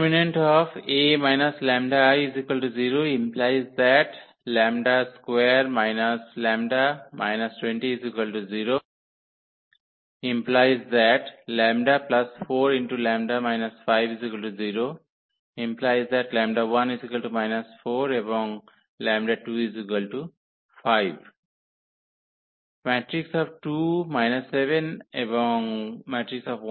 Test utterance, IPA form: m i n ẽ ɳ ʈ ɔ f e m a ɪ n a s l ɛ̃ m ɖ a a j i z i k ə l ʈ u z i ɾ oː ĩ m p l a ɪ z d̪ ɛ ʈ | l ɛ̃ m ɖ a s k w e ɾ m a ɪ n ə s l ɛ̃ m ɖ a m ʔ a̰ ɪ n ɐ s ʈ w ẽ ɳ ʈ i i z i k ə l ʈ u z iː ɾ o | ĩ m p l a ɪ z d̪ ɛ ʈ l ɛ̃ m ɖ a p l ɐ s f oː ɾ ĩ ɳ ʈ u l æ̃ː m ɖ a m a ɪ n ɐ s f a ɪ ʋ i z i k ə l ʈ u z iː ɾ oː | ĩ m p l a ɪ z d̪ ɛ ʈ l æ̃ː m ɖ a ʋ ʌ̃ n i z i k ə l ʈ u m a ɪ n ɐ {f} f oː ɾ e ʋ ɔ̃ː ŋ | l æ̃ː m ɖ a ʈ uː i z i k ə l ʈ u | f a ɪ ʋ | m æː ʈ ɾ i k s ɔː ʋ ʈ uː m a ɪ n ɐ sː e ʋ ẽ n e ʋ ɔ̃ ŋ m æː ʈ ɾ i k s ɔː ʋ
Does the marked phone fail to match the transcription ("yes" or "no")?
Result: yes